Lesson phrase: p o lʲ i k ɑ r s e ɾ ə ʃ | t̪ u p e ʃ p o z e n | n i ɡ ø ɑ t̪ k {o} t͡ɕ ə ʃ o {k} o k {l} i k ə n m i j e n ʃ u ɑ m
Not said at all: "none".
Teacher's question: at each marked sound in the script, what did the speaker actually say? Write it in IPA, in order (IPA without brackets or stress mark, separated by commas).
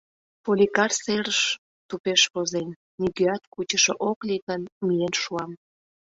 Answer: u, ʔ, l